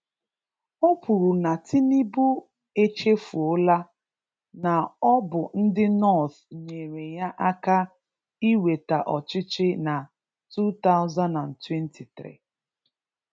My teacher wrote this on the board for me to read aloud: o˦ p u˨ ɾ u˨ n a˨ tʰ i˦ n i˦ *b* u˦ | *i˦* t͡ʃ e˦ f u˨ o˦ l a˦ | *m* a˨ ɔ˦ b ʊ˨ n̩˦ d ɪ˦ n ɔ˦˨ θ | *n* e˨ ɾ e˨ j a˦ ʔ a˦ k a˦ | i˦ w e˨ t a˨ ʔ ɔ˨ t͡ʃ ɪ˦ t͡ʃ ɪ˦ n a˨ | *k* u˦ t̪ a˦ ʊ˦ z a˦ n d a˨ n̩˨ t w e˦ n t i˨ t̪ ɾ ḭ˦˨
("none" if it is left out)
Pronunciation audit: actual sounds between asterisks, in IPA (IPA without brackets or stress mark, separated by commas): b, e˦, n, ɲ, t